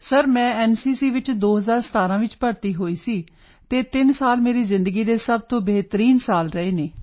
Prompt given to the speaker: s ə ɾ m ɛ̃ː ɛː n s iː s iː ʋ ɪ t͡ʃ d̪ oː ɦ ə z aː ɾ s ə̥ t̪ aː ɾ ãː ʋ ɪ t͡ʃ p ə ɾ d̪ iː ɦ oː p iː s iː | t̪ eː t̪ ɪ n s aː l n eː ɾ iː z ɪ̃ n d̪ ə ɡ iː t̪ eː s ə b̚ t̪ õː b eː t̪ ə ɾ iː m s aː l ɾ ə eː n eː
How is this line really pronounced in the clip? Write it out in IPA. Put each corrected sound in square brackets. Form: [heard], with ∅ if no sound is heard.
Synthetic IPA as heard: s ə ɾ m ɛ̃ː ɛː n s iː s iː ʋ ɪ t͡ʃ d̪ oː ɦ ə z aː ɾ s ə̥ t̪ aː ɾ ãː ʋ ɪ t͡ʃ p ə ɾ [t̪] iː ɦ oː [∅] iː s iː | t̪ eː t̪ ɪ n s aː l [m] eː ɾ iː z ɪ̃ n d̪ ə ɡ iː [d̪] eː s ə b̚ t̪ õː b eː t̪ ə ɾ iː [n] s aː l ɾ ə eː n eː